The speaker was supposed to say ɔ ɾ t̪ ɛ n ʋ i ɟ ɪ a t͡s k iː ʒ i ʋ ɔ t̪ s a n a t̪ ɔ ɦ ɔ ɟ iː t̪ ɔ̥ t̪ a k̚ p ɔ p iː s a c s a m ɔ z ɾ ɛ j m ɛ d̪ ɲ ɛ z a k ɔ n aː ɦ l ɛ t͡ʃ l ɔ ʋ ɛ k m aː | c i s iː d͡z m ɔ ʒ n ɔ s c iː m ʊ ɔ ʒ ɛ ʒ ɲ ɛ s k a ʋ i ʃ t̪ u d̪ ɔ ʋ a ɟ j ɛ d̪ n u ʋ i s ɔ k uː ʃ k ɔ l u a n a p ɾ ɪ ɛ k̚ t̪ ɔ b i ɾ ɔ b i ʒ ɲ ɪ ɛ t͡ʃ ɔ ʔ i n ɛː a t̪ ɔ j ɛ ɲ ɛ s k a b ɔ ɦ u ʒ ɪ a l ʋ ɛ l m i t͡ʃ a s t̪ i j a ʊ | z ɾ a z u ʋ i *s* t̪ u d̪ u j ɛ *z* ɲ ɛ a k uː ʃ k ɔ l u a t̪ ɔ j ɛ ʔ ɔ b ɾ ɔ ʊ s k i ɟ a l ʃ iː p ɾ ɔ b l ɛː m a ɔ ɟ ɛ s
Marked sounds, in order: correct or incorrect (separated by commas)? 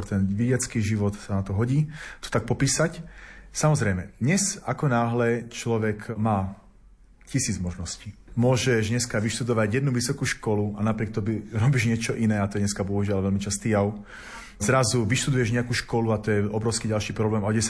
incorrect, incorrect